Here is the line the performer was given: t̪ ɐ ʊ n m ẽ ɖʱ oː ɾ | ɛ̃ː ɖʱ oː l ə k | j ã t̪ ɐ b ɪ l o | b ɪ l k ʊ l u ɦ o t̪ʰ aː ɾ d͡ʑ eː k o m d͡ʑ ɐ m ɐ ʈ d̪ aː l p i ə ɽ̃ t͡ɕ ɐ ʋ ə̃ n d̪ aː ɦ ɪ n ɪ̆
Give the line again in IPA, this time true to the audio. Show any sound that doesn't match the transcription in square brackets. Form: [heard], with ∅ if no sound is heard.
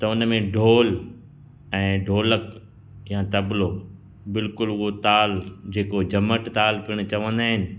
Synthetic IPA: t̪ ɐ ʊ n m ẽ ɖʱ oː [l] | ɛ̃ː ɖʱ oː l ə k | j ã t̪ ɐ b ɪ l o | b ɪ l k ʊ l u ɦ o [t̪] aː [l] d͡ʑ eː k o [∅] d͡ʑ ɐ m [ə] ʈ [t̪] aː l p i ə ɽ̃ t͡ɕ ɐ ʋ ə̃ n d̪ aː ɦ ɪ n ɪ̆

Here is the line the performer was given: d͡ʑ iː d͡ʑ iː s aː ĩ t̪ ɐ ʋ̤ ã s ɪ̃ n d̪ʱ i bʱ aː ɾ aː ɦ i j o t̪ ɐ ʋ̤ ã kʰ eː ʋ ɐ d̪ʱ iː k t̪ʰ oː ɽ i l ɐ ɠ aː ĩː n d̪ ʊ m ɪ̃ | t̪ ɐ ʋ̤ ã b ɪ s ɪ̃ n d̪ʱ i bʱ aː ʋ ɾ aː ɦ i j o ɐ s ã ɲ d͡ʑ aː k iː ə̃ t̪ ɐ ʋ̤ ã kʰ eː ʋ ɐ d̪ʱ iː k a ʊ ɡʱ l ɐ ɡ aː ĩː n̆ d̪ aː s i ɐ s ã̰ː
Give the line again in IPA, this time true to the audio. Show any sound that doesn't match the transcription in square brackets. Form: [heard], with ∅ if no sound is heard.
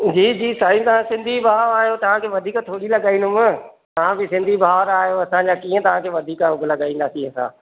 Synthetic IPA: d͡ʑ iː d͡ʑ iː s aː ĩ t̪ ɐ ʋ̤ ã s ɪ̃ n d̪ʱ i bʱ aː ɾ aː ɦ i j o t̪ ɐ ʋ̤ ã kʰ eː ʋ ɐ d̪ʱ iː k t̪ʰ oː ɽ i l ɐ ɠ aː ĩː n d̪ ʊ m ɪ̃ | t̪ ɐ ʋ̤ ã b ɪ s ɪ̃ n d̪ʱ i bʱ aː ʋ ɾ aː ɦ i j o ɐ s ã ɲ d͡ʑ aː k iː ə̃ t̪ ɐ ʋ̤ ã kʰ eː ʋ ɐ d̪ʱ iː k a ʊ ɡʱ l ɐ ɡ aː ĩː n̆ d̪ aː s i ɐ s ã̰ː

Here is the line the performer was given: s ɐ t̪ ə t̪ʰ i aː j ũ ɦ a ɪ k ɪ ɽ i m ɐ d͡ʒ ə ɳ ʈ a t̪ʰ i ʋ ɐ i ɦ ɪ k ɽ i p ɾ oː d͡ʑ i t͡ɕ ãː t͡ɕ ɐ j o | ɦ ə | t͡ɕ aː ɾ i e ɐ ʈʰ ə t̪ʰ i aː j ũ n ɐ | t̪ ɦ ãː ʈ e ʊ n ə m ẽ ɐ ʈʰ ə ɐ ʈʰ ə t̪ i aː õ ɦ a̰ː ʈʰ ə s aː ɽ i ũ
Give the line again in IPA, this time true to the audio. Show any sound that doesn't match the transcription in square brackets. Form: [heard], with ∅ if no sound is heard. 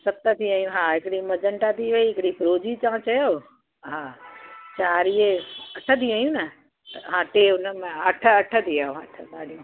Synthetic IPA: s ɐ t̪ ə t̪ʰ i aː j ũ ɦ a ɪ k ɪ ɽ i m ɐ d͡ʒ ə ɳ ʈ a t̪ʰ i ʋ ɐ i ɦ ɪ k ɽ i p ɾ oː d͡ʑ i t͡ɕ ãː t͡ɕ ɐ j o | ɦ [a] | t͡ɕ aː ɾ i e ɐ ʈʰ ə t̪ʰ i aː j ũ n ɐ | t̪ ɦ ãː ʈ e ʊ n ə m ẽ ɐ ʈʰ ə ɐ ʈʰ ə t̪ i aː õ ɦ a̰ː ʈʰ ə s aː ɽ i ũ

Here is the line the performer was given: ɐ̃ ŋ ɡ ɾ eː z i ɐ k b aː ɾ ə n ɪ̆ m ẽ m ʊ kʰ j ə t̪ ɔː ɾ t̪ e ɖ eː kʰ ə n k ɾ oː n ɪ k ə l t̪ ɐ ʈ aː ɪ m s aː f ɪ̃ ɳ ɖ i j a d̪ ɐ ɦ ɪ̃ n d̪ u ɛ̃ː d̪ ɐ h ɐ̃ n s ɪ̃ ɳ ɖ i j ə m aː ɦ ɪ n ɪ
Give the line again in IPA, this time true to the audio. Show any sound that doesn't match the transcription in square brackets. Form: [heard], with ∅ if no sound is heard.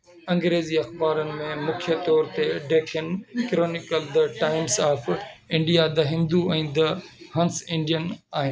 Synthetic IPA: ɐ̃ ŋ ɡ ɾ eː z i ɐ [x] b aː ɾ ə n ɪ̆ m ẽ m ʊ kʰ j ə t̪ ɔː ɾ t̪ e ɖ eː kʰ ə n k ɾ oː n ɪ k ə l [d̪] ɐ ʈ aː ɪ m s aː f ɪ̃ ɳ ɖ i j a d̪ ɐ ɦ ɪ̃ n d̪ u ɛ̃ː d̪ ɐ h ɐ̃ n s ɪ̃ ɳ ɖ i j ə [n] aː ɦ ɪ n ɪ

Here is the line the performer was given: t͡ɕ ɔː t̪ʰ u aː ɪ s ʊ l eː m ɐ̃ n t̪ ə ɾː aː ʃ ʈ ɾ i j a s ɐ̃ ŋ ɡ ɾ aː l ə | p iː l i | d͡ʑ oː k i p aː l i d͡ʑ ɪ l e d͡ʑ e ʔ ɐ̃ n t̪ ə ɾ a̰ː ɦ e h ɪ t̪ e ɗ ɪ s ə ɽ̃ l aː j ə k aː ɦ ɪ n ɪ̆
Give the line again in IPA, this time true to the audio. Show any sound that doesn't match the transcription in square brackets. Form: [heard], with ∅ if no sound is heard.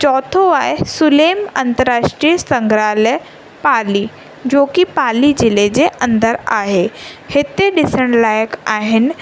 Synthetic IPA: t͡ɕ ɔː t̪ʰ [o] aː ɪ s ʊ l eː m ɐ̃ n t̪ ə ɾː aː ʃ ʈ ɾ i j [ə] s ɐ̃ ŋ ɡ ɾ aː l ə | p [aː] l i | d͡ʑ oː k i p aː l i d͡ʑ ɪ l e d͡ʑ e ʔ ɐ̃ n [d̪] ə ɾ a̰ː ɦ e h ɪ t̪ e ɗ ɪ s ə ɽ̃ l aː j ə k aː ɦ ɪ n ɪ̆

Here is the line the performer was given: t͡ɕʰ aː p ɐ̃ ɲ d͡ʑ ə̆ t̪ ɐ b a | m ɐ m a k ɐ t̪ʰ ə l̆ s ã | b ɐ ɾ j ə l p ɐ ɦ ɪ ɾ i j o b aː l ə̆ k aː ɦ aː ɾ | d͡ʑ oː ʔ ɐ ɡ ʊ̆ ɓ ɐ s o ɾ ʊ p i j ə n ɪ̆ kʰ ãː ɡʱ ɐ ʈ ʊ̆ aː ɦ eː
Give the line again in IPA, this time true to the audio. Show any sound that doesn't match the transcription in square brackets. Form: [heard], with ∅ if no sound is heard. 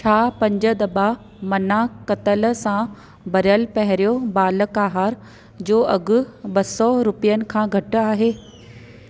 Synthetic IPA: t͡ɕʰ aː p ɐ̃ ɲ d͡ʑ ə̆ [d̪] ɐ b a | m ɐ [n] a k ɐ [t̪] ə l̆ s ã | b ɐ ɾ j ə l p ɐ ɦ ɪ ɾ i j o b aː l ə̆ k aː ɦ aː ɾ | d͡ʑ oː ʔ ɐ ɡ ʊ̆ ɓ ɐ s [ɔ] ɾ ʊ p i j ə n ɪ̆ kʰ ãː ɡʱ ɐ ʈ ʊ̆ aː ɦ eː

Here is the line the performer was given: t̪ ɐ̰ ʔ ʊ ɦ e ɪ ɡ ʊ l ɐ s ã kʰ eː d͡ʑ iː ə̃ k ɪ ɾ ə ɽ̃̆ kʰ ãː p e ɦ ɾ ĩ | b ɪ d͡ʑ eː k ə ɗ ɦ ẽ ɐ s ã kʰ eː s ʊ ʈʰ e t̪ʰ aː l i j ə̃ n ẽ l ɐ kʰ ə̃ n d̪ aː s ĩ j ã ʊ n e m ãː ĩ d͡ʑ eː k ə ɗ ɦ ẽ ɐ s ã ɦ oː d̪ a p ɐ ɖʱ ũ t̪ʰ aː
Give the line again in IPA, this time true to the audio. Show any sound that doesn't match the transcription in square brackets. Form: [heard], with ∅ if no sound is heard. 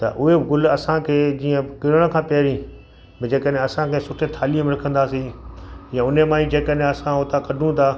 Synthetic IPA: t̪ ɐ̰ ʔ ʊ ɦ e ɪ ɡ ʊ l ɐ s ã kʰ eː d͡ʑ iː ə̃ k ɪ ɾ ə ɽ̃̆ kʰ ãː p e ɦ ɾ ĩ | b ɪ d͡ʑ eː k ə ɗ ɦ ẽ ɐ s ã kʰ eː s ʊ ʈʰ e t̪ʰ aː l i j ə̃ [m] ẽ [ɾ] ɐ kʰ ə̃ n d̪ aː s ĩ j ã ʊ n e m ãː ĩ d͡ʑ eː k ə ɗ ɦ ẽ ɐ s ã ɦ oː [t̪] a [k] ɐ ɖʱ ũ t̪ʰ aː

